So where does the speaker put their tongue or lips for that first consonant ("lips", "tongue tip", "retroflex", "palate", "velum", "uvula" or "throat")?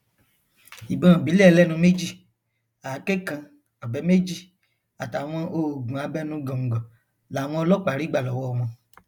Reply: lips